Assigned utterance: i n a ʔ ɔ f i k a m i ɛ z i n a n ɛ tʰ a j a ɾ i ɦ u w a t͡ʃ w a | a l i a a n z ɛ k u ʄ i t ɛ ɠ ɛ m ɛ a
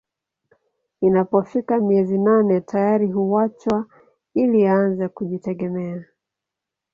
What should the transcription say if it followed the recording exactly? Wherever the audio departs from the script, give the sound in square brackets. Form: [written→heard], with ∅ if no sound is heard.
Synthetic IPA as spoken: i n a [ʔ→p] ɔ f i k a m i ɛ z i n a n ɛ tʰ a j a ɾ i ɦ u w a t͡ʃ w a | [a→i] l i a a n z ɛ k u ʄ i t ɛ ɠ ɛ m ɛ a